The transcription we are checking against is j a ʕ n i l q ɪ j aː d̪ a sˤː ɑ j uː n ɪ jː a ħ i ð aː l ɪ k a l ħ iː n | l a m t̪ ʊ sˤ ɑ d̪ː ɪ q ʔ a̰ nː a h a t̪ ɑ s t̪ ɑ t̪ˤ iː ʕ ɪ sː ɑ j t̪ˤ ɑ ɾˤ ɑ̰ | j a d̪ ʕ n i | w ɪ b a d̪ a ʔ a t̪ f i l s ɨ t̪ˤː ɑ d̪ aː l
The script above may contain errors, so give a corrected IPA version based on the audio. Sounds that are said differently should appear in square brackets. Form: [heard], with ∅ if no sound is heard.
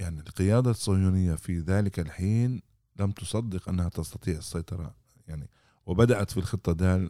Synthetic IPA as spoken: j a ʕ n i l q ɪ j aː d̪ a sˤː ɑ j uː n ɪ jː a [f] i ð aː l ɪ k a l ħ iː n | l a m t̪ ʊ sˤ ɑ d̪ː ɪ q ʔ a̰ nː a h a t̪ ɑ s t̪ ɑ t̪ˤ iː ʕ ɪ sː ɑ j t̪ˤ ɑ ɾˤ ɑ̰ | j a [∅] ʕ n i | w ɪ b a d̪ a ʔ a t̪ f i l [x] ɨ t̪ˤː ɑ d̪ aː l